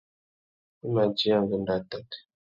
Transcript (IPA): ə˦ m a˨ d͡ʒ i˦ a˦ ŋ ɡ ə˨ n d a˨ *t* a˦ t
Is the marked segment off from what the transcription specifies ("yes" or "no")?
no